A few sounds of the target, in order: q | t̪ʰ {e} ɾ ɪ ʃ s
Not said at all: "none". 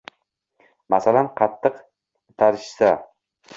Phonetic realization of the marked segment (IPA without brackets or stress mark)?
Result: a